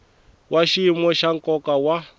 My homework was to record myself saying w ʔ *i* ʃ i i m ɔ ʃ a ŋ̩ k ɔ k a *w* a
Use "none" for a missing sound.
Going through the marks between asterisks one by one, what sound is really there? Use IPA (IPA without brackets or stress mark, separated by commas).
a, w